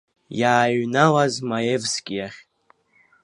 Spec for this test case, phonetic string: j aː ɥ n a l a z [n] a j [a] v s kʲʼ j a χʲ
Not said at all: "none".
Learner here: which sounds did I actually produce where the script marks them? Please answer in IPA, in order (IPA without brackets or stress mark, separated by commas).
m, e